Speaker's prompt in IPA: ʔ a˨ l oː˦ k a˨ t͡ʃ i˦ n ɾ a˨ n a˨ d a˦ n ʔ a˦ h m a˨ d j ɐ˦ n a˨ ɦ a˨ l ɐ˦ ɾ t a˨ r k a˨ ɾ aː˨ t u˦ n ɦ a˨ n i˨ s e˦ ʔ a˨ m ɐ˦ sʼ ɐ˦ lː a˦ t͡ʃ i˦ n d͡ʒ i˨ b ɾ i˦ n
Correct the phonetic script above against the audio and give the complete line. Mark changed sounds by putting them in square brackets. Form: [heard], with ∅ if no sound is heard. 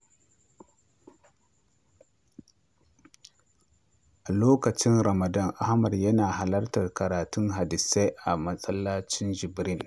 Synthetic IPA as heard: ʔ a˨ l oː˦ k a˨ t͡ʃ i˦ n ɾ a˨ [m] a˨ d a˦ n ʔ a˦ h m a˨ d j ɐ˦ n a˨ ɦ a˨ l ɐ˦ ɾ t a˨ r k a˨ ɾ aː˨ t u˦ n ɦ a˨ [d] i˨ s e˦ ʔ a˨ m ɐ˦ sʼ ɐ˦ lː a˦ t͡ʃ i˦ n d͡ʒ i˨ b ɾ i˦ n